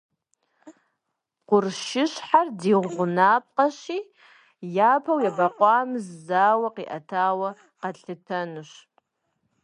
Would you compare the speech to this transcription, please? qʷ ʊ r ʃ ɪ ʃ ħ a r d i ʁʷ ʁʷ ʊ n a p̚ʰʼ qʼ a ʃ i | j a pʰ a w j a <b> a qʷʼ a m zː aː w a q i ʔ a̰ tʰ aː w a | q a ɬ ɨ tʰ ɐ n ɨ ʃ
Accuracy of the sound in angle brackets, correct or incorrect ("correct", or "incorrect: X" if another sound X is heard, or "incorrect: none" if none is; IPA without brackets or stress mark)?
correct